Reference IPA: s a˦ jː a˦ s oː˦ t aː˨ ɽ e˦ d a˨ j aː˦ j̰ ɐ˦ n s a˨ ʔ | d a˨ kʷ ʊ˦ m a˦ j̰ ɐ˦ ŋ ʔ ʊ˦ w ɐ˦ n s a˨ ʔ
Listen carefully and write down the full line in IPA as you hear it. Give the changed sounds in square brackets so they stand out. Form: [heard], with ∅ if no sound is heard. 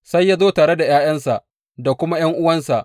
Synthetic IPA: s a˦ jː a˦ [z] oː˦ t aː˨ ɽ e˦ d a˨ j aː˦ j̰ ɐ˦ n s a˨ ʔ | d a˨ kʷ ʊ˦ m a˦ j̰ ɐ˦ ŋ ʔ ʊ˦ w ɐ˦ n s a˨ ʔ